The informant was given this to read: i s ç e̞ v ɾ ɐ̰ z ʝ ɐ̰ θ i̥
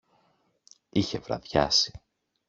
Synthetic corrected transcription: i ç e̞ v ɾ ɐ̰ ð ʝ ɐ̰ s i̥

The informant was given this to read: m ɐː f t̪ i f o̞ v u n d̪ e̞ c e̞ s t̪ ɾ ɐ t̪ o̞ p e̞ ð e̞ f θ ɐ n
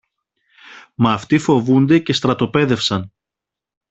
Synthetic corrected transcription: m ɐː f t̪ i f o̞ v u n d̪ e̞ c e̞ s t̪ ɾ ɐ t̪ o̞ p e̞ ð e̞ f s ɐ n

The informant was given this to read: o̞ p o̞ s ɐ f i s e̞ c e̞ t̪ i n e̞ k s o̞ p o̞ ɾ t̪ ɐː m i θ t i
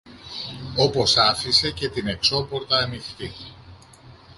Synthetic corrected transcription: o̞ p o̞ s ɐ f i s e̞ c e̞ t̪ i n e̞ k s o̞ p o̞ ɾ t̪ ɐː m i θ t i

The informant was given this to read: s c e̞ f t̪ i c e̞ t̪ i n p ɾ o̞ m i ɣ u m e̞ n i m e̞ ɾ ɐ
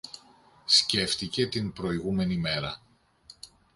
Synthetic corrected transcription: s c e̞ f t̪ i c e̞ t̪ i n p ɾ o̞ i ɣ u m e̞ n i m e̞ ɾ ɐ

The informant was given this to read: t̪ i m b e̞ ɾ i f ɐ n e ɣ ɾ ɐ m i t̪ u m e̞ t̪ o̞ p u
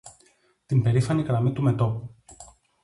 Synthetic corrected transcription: t̪ i m b e̞ ɾ i f ɐ n i ɣ ɾ ɐ m i t̪ u m e̞ t̪ o̞ p u

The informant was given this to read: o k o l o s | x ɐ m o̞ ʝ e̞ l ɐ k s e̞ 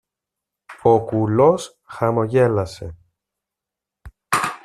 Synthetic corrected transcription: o k u l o s | x ɐ m o̞ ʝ e̞ l ɐ s e̞

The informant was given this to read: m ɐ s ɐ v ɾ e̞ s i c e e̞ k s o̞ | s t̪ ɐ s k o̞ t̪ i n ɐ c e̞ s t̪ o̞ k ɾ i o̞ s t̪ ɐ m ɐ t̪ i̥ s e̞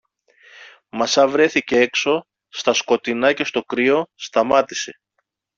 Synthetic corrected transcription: m ɐ s ɐ v ɾ e̞ θ i c e e̞ k s o̞ | s t̪ ɐ s k o̞ t̪ i n ɐ c e̞ s t̪ o̞ k ɾ i o̞ s t̪ ɐ m ɐ t̪ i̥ s e̞

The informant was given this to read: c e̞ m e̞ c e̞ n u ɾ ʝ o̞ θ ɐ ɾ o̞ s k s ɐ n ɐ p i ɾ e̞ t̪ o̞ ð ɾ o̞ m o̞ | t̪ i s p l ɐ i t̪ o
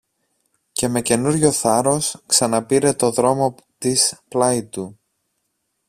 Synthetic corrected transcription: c e̞ m e̞ c e̞ n u ɾ ʝ o̞ θ ɐ ɾ o̞ s k s ɐ n ɐ p i ɾ e̞ t̪ o̞ ð ɾ o̞ m o̞ | t̪ i s p l ɐ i t̪ u

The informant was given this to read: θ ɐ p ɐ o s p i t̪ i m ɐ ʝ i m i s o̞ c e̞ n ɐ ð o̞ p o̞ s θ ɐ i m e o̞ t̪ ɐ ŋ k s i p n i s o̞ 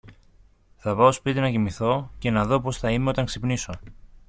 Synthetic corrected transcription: θ ɐ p ɐ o s p i t̪ i n ɐ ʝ i m i θ o̞ c e̞ n ɐ ð o̞ p o̞ s θ ɐ i m e o̞ t̪ ɐ ŋ k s i p n i s o̞

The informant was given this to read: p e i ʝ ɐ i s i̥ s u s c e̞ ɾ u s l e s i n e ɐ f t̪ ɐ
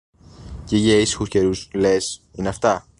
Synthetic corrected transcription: c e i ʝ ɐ i s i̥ x u s c e̞ ɾ u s l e s i n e ɐ f t̪ ɐ

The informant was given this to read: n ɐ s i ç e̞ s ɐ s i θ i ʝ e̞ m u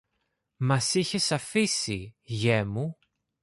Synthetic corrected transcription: m ɐ s i ç e̞ s ɐ f i s i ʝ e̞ m u

